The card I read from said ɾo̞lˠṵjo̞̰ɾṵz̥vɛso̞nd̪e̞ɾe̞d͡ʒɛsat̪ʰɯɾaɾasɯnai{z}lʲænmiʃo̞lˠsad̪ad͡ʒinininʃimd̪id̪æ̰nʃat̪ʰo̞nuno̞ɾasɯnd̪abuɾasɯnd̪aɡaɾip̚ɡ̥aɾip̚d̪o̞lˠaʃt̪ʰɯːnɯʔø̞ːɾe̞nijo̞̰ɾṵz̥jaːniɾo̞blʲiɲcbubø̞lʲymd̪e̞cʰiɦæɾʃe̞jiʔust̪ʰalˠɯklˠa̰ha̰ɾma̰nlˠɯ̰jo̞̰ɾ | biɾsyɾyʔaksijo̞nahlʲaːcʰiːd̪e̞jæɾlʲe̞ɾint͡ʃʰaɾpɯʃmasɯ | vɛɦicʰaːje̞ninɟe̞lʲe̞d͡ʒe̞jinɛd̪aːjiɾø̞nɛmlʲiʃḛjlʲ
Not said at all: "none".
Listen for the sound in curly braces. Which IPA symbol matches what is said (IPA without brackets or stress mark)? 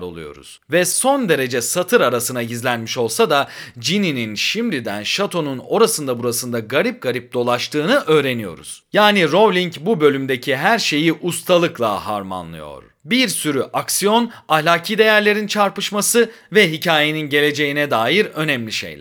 z